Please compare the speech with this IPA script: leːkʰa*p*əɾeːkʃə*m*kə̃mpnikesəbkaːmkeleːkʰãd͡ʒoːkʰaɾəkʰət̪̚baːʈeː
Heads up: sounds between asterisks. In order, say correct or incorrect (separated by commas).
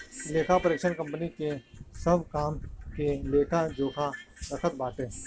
correct, incorrect